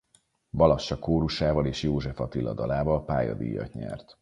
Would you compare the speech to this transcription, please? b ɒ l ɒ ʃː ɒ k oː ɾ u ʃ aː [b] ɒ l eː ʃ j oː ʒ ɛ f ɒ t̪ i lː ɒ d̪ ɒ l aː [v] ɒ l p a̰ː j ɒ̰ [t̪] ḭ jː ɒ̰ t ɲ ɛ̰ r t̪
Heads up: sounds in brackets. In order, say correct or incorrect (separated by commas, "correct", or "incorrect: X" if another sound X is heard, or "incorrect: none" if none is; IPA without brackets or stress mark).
incorrect: v, correct, incorrect: d̪